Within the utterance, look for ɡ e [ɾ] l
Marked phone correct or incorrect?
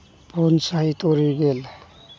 incorrect